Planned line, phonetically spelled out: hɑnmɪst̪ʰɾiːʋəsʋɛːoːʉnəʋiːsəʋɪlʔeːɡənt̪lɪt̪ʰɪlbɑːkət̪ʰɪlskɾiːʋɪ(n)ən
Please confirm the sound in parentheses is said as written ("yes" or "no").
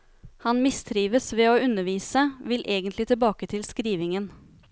no